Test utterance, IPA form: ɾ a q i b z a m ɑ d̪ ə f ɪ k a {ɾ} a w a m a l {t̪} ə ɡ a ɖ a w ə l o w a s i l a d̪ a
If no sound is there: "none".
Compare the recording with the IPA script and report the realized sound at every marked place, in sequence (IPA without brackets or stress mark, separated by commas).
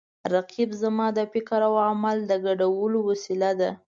ɾ, d̪